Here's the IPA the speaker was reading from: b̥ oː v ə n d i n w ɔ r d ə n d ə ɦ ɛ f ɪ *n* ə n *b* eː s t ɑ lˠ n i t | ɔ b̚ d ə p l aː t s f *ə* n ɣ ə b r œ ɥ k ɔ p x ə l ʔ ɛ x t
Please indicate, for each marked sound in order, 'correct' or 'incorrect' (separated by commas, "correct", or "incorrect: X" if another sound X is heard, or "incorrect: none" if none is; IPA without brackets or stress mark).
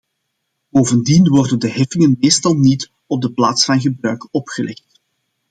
incorrect: ŋ, incorrect: m, incorrect: ɑ